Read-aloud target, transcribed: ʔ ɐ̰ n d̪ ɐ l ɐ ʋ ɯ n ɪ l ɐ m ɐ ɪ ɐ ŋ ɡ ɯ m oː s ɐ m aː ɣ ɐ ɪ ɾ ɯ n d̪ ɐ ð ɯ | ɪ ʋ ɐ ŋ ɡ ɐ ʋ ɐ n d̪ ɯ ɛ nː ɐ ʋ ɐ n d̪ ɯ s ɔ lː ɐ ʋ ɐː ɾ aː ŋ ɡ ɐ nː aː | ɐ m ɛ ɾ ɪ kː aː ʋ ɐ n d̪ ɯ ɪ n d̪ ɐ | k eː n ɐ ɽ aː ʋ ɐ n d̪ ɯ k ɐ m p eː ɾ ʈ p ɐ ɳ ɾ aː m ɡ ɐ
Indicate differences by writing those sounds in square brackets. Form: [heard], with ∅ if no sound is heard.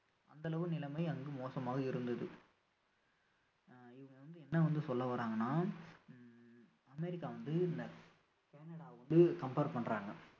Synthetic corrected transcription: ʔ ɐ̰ n d̪ ɐ l ɐ ʋ ɯ n ɪ l ɐ m ɐ ɪ ɐ ŋ ɡ ɯ m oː s ɐ m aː ɣ ɐ ɪ ɾ ɯ n d̪ ɐ ð ɯ | ɪ ʋ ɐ ŋ ɡ ɐ ʋ ɐ n d̪ ɯ ɛ nː ɐ ʋ ɐ n d̪ ɯ s ɔ lː ɐ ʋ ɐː ɾ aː ŋ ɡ ɐ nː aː | ɐ m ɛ ɾ ɪ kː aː ʋ ɐ n d̪ ɯ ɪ n d̪ ɐ | k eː n ɐ ɽ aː ʋ ɐ n d̪ ɯ k ɐ m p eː ɾ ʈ p ɐ ɳ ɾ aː [ŋ] ɡ ɐ

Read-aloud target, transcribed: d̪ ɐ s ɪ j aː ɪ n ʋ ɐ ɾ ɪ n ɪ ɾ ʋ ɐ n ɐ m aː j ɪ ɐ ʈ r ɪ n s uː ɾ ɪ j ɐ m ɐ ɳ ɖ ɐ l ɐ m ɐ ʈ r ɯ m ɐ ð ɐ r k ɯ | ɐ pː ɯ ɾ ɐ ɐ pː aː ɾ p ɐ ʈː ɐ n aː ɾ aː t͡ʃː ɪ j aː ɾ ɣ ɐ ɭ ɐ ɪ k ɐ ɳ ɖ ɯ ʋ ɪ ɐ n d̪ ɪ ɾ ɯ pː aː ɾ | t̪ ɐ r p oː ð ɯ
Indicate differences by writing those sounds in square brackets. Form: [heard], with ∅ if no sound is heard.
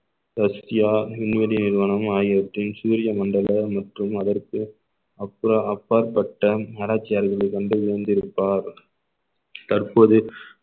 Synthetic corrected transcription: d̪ ɐ s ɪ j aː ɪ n ʋ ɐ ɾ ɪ n ɪ ɾ ʋ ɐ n ɐ m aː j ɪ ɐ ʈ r ɪ n s uː ɾ ɪ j ɐ m ɐ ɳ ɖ ɐ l ɐ m ɐ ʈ r ɯ m ɐ ð ɐ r k ɯ | ɐ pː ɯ ɾ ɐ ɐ pː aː ɾ p ɐ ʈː ɐ n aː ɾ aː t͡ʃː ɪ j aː ɾ ɣ ɐ ɭ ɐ ɪ k ɐ ɳ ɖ ɯ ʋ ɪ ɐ n d̪ ɪ ɾ ɯ pː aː ɾ | t̪ ɐ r p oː ð ɯ

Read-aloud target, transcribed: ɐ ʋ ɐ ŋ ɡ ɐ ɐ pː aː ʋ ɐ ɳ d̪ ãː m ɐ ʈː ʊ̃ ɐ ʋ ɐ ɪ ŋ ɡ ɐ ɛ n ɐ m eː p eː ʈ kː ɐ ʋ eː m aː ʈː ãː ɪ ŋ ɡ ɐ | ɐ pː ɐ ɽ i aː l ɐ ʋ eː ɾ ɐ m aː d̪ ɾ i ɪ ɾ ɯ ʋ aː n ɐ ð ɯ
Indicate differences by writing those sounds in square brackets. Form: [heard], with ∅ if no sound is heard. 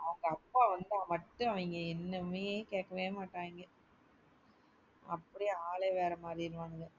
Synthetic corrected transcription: ɐ ʋ ɐ ŋ ɡ ɐ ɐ pː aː ʋ ɐ [n] d̪ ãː m ɐ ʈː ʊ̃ ɐ ʋ ɐ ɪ ŋ ɡ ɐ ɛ [nː] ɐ m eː [k] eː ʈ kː ɐ ʋ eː m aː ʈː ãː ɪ ŋ ɡ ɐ | ɐ pː ɐ ɽ i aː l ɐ ʋ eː ɾ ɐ m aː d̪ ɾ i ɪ ɾ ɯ ʋ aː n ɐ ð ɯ

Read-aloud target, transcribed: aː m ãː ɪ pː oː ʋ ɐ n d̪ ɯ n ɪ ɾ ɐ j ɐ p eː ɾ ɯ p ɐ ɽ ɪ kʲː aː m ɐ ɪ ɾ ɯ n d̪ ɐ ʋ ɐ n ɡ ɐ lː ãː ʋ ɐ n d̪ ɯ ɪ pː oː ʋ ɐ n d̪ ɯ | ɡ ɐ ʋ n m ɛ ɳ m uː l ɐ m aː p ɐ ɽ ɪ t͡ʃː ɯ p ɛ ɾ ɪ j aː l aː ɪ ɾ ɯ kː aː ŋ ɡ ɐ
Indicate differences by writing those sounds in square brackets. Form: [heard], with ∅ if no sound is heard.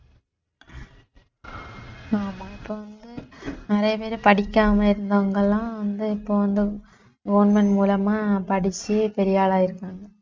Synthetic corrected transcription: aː m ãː ɪ pː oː ʋ ɐ n d̪ ɯ n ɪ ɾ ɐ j ɐ p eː ɾ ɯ p ɐ ɽ ɪ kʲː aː m ɐ ɪ ɾ ɯ n d̪ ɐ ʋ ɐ [ŋ] ɡ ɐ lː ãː ʋ ɐ n d̪ ɯ ɪ pː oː ʋ ɐ n d̪ ɯ | ɡ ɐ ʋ n m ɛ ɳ m uː l ɐ m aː p ɐ ɽ ɪ t͡ʃː ɯ p ɛ ɾ ɪ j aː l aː ɪ ɾ ɯ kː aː ŋ ɡ ɐ

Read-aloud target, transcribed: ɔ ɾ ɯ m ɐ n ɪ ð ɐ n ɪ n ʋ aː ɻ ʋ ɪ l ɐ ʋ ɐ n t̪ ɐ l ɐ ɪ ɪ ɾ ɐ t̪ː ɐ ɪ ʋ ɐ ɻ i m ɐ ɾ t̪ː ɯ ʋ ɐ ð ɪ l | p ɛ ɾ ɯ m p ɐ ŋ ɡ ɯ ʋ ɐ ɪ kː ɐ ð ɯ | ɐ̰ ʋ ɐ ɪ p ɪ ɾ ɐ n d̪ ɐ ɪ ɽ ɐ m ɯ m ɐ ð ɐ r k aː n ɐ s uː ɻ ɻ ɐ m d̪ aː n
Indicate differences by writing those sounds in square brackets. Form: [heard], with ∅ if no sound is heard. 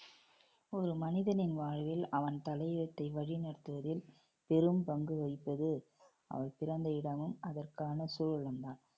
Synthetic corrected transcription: ɔ ɾ ɯ m ɐ n ɪ ð ɐ n ɪ n ʋ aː ɻ ʋ ɪ l ɐ ʋ ɐ n t̪ ɐ l ɐ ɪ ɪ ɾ ɐ t̪ː ɐ ɪ ʋ ɐ ɻ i [n] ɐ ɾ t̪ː ɯ ʋ ɐ ð ɪ l | p ɛ ɾ ɯ m p ɐ ŋ ɡ ɯ ʋ ɐ ɪ [pː] ɐ ð ɯ | ɐ̰ ʋ ɐ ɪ p ɪ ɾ ɐ n d̪ ɐ ɪ ɽ ɐ m ɯ m ɐ ð ɐ r k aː n ɐ s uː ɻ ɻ ɐ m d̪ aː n

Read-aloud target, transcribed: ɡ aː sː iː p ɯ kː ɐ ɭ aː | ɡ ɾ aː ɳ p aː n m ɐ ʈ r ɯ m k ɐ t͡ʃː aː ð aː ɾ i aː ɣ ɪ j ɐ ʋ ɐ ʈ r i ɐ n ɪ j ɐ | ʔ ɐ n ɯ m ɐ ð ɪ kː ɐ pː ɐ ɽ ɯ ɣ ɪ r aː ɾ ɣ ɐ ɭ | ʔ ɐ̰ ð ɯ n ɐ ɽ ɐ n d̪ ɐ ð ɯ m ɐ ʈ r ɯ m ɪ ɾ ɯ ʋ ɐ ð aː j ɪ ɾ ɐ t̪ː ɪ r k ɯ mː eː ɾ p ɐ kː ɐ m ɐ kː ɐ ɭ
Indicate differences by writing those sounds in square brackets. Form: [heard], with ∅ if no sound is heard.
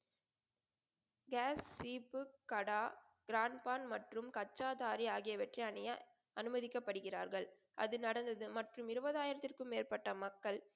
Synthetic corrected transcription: ɡ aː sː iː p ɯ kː ɐ [ɽ] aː | ɡ ɾ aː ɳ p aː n m ɐ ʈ r ɯ m k ɐ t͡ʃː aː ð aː ɾ i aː ɣ ɪ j ɐ ʋ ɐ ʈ r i ɐ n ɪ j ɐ | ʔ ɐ n ɯ m ɐ ð ɪ kː ɐ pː ɐ ɽ ɯ ɣ ɪ r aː ɾ ɣ ɐ ɭ | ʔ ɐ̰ ð ɯ n ɐ ɽ ɐ n d̪ ɐ ð ɯ m ɐ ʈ r ɯ m ɪ ɾ ɯ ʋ ɐ ð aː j ɪ ɾ ɐ t̪ː ɪ r k ɯ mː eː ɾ p ɐ [ʈː] ɐ m ɐ kː ɐ ɭ

